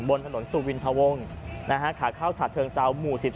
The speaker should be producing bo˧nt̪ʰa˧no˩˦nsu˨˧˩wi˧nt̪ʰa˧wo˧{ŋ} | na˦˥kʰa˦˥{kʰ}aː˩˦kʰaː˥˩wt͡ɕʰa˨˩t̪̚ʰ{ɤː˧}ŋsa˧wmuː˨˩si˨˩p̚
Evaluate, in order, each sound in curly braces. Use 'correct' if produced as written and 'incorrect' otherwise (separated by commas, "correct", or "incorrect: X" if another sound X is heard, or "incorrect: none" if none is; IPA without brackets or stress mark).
correct, correct, correct